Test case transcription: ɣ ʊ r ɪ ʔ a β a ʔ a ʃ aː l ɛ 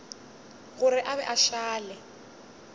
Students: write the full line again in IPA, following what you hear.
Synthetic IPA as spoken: ɣ ʊ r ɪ ʔ a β ɛ ʔ a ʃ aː l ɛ